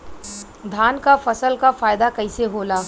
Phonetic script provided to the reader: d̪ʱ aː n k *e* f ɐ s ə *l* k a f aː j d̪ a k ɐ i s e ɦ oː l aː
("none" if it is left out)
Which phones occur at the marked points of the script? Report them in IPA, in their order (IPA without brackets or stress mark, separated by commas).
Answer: a, l